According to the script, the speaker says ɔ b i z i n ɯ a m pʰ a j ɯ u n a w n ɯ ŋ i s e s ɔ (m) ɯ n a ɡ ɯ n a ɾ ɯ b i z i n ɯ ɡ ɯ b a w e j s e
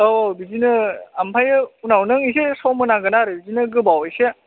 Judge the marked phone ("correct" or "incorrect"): correct